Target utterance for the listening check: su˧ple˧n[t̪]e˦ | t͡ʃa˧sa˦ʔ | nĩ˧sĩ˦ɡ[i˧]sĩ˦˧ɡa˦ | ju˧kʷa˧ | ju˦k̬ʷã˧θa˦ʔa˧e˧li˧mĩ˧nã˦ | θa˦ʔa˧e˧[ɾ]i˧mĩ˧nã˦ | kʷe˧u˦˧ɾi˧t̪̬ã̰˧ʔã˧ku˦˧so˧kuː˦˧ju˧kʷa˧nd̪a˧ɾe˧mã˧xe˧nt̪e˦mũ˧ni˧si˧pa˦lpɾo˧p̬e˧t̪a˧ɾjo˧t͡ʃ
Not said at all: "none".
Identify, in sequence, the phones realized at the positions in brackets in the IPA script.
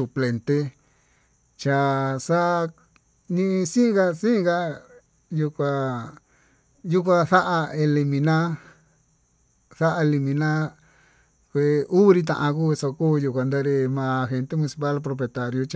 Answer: t̪, a˧, l

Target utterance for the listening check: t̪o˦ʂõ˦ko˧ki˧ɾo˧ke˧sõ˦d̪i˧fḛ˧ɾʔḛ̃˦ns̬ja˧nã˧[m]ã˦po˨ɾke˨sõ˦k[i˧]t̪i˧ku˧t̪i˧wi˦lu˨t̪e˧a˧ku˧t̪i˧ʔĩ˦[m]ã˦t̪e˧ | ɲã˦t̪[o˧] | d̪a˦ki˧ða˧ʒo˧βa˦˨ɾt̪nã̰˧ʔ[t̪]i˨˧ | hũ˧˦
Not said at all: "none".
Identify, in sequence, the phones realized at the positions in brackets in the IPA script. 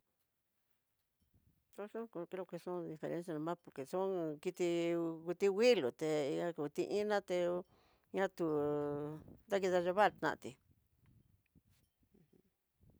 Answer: m, i˧, n, u˧, t̪

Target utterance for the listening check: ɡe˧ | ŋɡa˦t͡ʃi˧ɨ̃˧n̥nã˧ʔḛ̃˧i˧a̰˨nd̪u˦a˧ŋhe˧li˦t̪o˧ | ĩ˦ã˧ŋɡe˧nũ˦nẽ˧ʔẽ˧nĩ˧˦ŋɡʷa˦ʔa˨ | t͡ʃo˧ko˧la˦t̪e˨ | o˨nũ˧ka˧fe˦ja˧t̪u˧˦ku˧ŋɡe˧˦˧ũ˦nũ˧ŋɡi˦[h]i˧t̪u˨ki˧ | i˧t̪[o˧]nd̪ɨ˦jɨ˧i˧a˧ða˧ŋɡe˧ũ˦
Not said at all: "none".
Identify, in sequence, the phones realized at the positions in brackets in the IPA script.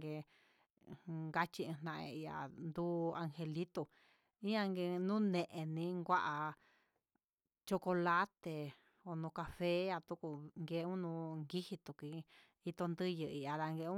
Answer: h, o˧

